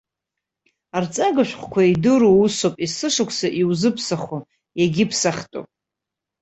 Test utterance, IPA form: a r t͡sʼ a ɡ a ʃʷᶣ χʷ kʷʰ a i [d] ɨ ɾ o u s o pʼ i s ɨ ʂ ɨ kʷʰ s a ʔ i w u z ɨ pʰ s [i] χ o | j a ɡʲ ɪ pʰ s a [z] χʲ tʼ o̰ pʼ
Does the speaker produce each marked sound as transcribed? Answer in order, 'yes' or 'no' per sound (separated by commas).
yes, no, no